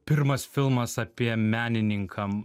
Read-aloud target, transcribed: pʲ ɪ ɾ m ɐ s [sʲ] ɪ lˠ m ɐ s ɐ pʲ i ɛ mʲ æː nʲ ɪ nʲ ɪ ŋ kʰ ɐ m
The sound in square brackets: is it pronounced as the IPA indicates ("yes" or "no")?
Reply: no